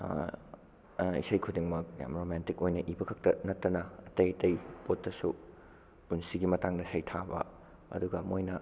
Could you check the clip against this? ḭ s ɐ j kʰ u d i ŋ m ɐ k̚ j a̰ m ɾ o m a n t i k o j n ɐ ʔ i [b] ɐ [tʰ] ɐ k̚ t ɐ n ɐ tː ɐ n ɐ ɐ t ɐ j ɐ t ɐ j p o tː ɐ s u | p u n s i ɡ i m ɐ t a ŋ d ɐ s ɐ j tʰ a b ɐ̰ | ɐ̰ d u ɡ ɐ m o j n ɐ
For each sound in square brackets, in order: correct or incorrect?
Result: correct, incorrect

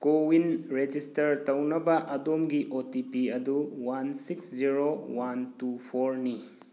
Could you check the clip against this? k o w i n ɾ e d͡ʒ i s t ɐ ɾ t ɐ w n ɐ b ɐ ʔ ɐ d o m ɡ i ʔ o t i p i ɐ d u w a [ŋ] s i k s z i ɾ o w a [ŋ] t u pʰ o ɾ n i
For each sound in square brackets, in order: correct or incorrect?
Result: incorrect, incorrect

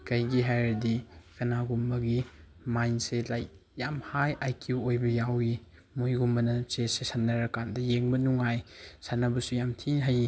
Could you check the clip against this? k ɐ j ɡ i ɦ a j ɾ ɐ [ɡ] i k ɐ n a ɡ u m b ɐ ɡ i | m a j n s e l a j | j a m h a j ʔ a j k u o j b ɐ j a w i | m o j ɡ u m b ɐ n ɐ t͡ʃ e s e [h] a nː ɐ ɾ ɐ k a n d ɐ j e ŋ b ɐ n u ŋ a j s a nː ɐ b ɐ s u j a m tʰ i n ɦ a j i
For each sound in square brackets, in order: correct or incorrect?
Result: incorrect, incorrect

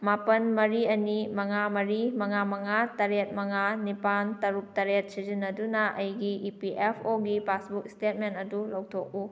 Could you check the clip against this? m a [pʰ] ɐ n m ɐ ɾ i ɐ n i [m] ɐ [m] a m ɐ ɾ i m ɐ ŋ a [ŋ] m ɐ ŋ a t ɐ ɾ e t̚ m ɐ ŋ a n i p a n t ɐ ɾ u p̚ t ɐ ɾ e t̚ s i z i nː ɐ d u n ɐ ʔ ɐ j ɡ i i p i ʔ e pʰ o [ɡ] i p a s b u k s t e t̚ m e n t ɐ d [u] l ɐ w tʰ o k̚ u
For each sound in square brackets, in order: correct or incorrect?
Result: incorrect, correct, incorrect, incorrect, correct, correct

